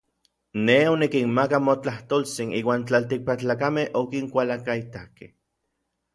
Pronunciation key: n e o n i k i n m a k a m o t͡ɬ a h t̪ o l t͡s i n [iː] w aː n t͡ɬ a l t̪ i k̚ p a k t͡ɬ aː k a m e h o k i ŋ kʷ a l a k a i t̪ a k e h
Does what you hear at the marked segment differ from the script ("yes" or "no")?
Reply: no